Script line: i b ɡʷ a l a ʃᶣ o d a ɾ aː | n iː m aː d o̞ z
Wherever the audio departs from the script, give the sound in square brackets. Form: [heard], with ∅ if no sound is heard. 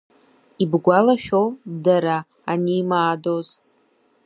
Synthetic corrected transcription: i b ɡʷ a l a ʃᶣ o d a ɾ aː | n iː m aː d o̞ z